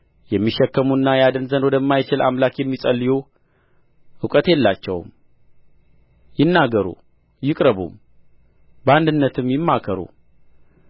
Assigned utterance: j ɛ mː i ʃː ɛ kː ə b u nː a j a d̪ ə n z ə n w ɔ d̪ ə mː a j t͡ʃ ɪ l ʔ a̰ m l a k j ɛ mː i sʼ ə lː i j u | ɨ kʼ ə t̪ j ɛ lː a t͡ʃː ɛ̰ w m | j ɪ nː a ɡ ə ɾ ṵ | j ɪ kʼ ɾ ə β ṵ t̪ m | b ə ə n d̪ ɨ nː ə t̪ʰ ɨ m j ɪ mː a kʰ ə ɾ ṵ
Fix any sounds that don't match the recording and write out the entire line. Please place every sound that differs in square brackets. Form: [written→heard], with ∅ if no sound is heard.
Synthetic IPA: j ɛ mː i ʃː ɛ kː ə [b→m] u nː a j a d̪ ə n z ə n w ɔ d̪ ə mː a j t͡ʃ ɪ l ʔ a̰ m l a k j ɛ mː i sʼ ə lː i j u | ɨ kʼ ə t̪ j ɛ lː a t͡ʃː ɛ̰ w m | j ɪ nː a ɡ ə ɾ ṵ | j ɪ kʼ ɾ ə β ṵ [t̪→∅] m | b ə [ə→a] n d̪ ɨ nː ə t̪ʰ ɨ m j ɪ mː a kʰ ə ɾ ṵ